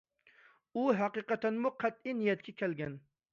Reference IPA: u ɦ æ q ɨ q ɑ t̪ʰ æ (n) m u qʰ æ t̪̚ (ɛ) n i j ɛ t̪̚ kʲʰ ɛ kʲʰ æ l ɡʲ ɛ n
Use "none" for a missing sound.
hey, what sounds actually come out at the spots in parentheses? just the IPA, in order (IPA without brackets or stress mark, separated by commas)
n, i